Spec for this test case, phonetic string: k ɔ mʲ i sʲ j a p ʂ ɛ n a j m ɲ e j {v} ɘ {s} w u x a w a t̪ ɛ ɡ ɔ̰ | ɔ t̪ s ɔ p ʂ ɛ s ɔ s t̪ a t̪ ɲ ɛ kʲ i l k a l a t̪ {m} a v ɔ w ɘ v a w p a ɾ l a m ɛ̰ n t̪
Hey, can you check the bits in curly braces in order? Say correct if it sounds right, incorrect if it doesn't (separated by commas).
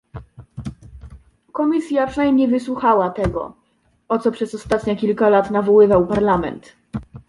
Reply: correct, correct, incorrect